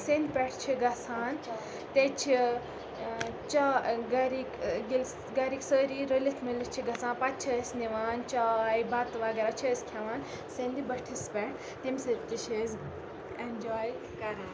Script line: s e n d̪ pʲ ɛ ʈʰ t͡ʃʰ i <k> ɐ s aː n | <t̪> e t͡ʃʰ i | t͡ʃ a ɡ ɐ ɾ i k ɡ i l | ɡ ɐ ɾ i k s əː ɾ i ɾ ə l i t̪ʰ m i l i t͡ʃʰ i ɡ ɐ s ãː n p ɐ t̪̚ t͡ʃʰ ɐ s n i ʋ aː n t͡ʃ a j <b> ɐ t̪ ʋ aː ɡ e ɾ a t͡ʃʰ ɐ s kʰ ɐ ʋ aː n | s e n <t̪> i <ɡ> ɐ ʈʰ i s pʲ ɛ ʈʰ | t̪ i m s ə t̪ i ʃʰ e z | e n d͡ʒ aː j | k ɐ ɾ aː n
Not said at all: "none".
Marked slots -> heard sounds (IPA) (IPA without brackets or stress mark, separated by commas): ɡ, t̪, b, d̪, b